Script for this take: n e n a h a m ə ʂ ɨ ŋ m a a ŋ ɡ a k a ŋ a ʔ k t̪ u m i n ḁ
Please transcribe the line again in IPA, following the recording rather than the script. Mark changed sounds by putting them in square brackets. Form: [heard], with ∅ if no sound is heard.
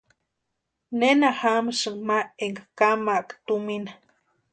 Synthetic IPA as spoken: n e n a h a m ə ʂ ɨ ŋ m a [e] ŋ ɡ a k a [m] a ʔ k t̪ u m i n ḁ